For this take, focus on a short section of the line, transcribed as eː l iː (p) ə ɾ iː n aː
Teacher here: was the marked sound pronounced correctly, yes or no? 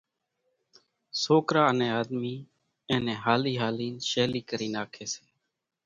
no